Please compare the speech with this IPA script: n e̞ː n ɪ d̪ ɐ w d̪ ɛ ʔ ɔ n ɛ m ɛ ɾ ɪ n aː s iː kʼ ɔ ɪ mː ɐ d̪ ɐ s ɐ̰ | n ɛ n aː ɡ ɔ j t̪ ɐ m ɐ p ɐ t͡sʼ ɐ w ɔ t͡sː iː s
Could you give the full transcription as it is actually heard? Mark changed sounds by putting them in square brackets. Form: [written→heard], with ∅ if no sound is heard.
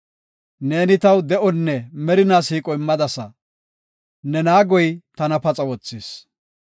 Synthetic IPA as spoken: n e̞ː n ɪ [d̪→t̪] ɐ w d̪ ɛ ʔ ɔ [n→nː] ɛ m ɛ ɾ ɪ n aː s iː kʼ ɔ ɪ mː ɐ d̪ ɐ s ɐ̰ | n ɛ n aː ɡ ɔ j t̪ ɐ [m→n] ɐ p ɐ t͡sʼ ɐ w ɔ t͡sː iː s

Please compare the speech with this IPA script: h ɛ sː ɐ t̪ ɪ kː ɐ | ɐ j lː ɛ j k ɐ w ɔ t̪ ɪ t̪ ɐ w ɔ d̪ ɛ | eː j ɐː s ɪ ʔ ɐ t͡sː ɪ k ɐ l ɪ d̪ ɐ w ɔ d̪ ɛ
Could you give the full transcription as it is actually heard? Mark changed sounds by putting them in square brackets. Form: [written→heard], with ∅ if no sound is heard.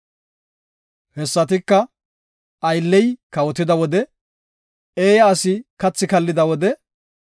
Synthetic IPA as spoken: h ɛ sː ɐ t̪ ɪ kː ɐ | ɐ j lː ɛ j k ɐ w ɔ t̪ ɪ [t̪→d̪] ɐ w ɔ d̪ ɛ | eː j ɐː s ɪ [ʔ→k] ɐ t͡sː ɪ k ɐ [l→lː] ɪ d̪ ɐ w ɔ d̪ ɛ

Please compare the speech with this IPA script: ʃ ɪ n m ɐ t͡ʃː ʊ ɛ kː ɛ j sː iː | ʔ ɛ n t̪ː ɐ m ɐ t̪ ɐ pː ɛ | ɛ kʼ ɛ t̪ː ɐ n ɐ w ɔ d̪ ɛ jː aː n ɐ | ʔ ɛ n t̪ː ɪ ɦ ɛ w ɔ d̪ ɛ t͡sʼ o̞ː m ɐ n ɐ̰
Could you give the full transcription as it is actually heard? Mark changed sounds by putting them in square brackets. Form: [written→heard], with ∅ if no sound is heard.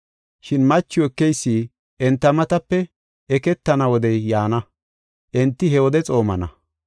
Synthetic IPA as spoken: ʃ ɪ n m ɐ t͡ʃː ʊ ɛ kː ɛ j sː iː | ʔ ɛ n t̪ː ɐ m ɐ t̪ ɐ pː ɛ | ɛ [kʼ→k] ɛ t̪ː ɐ n ɐ w ɔ d̪ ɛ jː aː n ɐ | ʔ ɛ n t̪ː ɪ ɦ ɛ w ɔ d̪ ɛ t͡sʼ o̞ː m ɐ n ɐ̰

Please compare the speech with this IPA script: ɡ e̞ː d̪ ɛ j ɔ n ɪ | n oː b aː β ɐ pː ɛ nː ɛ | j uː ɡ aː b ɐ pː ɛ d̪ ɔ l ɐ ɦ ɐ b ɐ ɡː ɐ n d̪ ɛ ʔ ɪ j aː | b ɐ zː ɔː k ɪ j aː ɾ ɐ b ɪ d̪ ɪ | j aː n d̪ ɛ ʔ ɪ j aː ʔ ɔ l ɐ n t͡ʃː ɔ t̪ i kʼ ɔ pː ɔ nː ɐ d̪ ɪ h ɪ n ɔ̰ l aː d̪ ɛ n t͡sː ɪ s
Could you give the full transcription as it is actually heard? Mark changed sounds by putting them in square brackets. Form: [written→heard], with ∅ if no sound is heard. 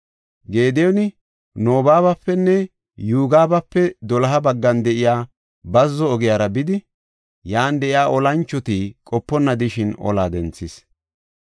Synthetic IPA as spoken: ɡ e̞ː d̪ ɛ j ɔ n ɪ | n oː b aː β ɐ pː ɛ nː ɛ | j uː ɡ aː b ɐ pː ɛ d̪ ɔ l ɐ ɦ ɐ b ɐ ɡː ɐ n d̪ ɛ ʔ ɪ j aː | b ɐ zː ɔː [k→ɡ] ɪ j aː ɾ ɐ b ɪ d̪ ɪ | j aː n d̪ ɛ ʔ ɪ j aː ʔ ɔ l ɐ n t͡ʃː ɔ t̪ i kʼ ɔ pː ɔ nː ɐ d̪ ɪ [h→ʃ] ɪ n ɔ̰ l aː d̪ ɛ n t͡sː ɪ s

